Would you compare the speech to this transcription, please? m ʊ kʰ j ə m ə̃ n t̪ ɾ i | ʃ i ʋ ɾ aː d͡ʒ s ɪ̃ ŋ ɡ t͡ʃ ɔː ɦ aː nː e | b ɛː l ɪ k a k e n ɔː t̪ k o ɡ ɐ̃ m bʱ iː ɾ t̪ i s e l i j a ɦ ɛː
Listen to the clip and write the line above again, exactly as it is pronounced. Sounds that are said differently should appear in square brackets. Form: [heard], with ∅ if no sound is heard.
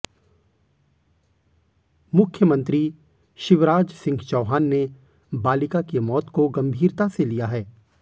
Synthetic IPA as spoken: m ʊ kʰ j ə m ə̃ n t̪ ɾ i | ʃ [ɪ] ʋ ɾ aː d͡ʒ s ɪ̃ ŋ ɡ t͡ʃ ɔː ɦ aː nː e | b [aː] l ɪ k a k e [m] ɔː t̪ k o ɡ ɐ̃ m bʱ iː ɾ t̪ [a] s e l i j a ɦ ɛː